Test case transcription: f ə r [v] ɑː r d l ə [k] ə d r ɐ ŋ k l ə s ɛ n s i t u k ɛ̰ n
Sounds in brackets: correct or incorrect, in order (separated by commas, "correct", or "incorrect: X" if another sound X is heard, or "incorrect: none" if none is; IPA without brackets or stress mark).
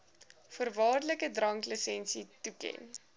correct, correct